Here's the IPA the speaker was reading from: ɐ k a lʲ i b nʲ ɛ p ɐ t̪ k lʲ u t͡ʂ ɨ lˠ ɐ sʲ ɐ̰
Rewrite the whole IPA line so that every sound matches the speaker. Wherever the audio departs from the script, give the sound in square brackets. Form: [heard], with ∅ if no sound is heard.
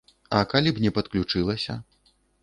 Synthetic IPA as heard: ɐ k a lʲ i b nʲ ɛ p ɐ t̪ k lʲ u t͡ʂ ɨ lˠ ɐ sʲ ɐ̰